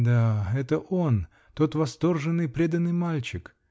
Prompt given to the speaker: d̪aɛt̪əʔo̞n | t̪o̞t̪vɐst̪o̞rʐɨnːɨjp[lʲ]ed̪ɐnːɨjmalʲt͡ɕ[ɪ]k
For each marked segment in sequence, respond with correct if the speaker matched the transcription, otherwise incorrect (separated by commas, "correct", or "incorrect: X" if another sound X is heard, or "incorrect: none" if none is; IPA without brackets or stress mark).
incorrect: ɾʲ, correct